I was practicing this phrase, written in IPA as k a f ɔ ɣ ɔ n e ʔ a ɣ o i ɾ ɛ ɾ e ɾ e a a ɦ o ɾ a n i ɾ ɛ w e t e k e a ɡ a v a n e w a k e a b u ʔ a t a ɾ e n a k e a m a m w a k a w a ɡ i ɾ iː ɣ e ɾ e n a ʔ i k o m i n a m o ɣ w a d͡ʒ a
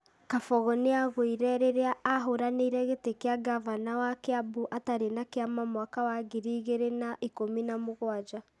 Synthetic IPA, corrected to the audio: k a f ɔ ɣ ɔ n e a ɣ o i ɾ ɛ ɾ e ɾ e a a ɦ o ɾ a n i ɾ ɛ ɣ e t e k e a ɡ a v a n a w a k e a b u ʔ a t a ɾ e n a k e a m a m w a k a w a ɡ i ɾ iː ɣ e ɾ e n a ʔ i k o m i n a m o ɣ w a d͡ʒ a

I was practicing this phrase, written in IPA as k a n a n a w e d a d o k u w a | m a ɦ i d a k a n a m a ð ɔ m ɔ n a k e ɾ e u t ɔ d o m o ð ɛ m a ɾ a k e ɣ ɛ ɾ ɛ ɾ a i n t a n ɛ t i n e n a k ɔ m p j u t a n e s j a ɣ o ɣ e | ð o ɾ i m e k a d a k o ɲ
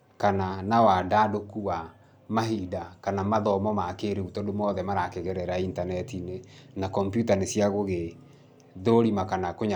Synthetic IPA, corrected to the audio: k a n a n a w a d a d o k u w a | m a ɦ i d a k a n a m a ð ɔ m ɔ m a k e ɾ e u t ɔ d o m ɔ ð ɛ m a ɾ a k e ɣ ɛ ɾ ɛ ɾ a i n t a n ɛ t i n e n a k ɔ m p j u t a n e s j a ɣ o ɣ e | ð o ɾ i m a k a n a k o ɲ

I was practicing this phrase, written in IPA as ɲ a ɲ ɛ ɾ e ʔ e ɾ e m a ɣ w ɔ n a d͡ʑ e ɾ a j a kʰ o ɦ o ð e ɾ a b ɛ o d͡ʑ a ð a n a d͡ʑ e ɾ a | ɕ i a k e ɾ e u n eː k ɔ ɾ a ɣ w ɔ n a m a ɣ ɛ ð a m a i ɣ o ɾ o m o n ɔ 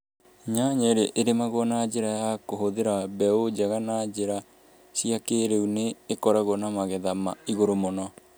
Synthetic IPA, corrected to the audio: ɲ a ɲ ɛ ɾ e ʔ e ɾ e m a ɣ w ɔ n a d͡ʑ e ɾ a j a k o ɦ o ð e ɾ a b ɛ o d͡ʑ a ɣ a n a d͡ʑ e ɾ a | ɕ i a k e ɾ e u n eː k ɔ ɾ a ɣ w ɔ n a m a ɣ ɛ ð a m a i ɣ o ɾ o m o n ɔ

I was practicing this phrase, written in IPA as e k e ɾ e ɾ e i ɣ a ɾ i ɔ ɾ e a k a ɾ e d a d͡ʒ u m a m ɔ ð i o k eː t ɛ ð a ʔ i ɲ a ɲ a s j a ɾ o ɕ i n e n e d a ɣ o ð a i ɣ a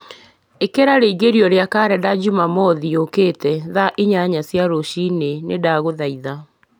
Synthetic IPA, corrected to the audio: e k e ɾ a ɾ e i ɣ e ɾ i ɔ ɾ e a k a ɾ ɛ d a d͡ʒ u m a m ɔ ð i o k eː t ɛ ð a ʔ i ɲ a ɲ a s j a ɾ o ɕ i n e n e d a ɣ o ð a i ð a

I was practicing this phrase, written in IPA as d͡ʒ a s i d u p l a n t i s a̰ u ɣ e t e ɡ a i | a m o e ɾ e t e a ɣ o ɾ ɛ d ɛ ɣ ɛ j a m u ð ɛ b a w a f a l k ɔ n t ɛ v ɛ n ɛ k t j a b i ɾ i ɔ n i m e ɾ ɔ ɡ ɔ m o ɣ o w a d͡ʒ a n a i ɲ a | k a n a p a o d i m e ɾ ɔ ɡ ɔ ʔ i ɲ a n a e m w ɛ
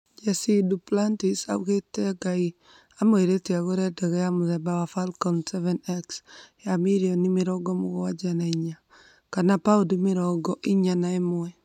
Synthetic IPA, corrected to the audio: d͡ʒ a s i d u p l a n t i s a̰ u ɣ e t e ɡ a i | a m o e ɾ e t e a ɣ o ɾ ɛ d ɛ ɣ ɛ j a m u ð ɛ b a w a f a l k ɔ n s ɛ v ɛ n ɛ k s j a m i ɾ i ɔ n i m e ɾ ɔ ɡ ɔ m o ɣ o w a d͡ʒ a n a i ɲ a | k a n a p a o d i m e ɾ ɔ ɡ ɔ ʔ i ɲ a n a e m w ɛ

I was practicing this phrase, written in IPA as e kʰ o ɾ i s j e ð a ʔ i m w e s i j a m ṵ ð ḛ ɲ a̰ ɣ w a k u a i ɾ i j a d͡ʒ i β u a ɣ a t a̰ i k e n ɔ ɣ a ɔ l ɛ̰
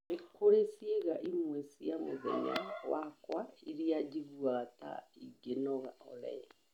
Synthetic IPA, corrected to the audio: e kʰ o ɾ e s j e ɣ a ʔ i m w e s i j a m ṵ ð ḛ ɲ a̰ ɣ w a k w a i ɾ i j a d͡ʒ i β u a ɣ a t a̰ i ɡ e n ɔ ɣ a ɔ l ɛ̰

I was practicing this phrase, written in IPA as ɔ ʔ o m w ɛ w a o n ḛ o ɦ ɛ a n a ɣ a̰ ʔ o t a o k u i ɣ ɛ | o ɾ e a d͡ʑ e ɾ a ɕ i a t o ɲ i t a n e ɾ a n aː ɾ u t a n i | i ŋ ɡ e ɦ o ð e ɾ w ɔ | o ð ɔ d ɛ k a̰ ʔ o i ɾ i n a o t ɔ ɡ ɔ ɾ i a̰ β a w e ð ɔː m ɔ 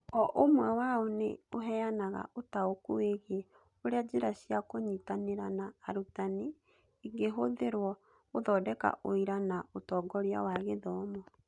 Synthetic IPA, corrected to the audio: ɔ ʔ o m w ɛ w a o n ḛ o ɦ ɛ a n a ɣ a̰ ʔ o t a o k u e ɣ e | o ɾ e a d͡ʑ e ɾ a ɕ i a k o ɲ i t a n e ɾ a n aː ɾ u t a n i | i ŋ ɡ e ɦ o ð e ɾ w ɔ | o ð ɔ d ɛ k a̰ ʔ o i ɾ a n a o t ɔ ɡ ɔ ɾ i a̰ w a ɣ e ð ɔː m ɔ

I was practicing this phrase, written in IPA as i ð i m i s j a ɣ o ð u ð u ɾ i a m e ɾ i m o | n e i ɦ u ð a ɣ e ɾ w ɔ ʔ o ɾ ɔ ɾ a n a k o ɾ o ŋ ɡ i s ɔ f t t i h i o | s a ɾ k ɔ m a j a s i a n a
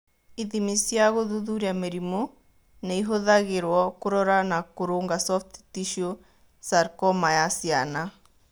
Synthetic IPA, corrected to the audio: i ð i m i s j a ɣ o ð u ð u ɾ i a m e ɾ i m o | n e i ɦ o ð a ɣ e ɾ w ɔ k o ɾ ɔ ɾ a n a k o ɾ o ŋ ɡ a s ɔ f t t i ʃ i o | s a ɾ k ɔ m a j a s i a n a

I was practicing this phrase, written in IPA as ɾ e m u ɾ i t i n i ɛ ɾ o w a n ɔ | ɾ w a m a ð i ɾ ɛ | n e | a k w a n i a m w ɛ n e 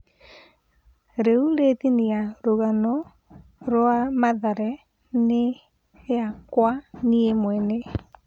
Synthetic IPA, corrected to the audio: ɾ e u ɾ e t i n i a ɾ o ɣ a n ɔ | ɾ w a m a ð a ɾ ɛ | n e | a k w a n i e m w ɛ n e

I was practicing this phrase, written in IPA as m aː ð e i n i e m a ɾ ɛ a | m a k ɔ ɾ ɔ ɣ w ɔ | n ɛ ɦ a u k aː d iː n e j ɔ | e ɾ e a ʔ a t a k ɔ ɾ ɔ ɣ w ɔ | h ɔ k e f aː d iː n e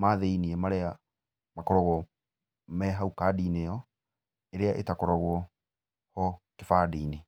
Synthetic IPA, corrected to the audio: m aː ð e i n i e m a ɾ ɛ a | m a k ɔ ɾ ɔ ɣ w ɔ | m ɛ ɦ a u k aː d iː n e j ɔ | e ɾ e a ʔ e t a k ɔ ɾ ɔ ɣ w ɔ | h ɔ k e f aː d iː n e

